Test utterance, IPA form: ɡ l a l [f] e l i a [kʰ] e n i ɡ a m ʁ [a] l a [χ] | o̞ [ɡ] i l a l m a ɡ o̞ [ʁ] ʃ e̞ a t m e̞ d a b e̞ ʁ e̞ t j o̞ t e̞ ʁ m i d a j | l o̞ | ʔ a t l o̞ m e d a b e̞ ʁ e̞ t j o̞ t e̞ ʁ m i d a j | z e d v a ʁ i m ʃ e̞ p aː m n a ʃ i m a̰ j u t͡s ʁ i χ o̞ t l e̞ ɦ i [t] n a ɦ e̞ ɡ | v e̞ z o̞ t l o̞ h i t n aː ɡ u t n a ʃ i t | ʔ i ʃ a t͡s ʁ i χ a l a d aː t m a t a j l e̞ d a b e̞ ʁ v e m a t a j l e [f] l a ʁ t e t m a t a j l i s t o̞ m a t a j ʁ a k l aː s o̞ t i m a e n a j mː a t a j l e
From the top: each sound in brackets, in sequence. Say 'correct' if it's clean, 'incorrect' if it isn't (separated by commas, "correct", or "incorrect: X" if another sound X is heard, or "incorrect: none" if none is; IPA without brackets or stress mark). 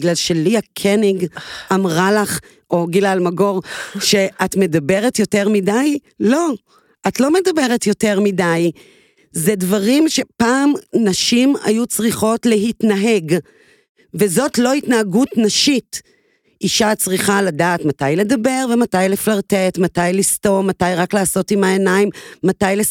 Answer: incorrect: ʃ, correct, correct, correct, correct, correct, correct, correct